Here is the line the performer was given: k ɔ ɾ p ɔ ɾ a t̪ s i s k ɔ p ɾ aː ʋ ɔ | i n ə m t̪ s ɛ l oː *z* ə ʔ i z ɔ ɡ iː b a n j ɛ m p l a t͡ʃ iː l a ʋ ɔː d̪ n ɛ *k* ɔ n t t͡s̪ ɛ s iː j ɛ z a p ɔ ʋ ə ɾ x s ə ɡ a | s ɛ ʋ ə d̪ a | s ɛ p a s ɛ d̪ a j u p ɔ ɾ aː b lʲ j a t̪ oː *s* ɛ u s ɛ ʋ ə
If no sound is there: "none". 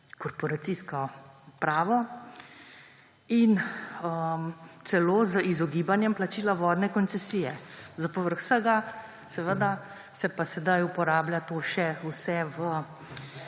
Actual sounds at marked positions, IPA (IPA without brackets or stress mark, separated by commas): z, k, ʃ